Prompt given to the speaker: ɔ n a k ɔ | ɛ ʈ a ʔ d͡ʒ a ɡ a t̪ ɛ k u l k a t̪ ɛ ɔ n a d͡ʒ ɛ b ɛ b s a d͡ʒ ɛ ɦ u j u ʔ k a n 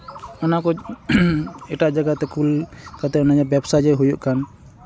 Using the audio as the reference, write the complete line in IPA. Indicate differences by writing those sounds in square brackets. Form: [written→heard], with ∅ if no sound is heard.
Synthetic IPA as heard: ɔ n a k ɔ | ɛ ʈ a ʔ d͡ʒ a ɡ a t̪ ɛ k u l k a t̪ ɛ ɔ n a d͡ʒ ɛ b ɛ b s a d͡ʒ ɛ ɦ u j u ʔ k a n